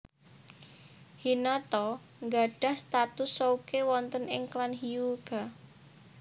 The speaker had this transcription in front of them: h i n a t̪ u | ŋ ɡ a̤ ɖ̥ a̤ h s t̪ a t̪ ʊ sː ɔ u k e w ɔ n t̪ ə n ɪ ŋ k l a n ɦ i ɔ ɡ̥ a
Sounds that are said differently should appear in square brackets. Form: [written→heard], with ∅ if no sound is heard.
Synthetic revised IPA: h i n a t̪ [u→ɔ] | ŋ ɡ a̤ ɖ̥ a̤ h s t̪ a t̪ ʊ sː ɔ u k e w ɔ n t̪ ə n ɪ ŋ k l a n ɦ i [ɔ→u] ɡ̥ a